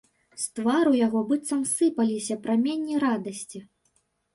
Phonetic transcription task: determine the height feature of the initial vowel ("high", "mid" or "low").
low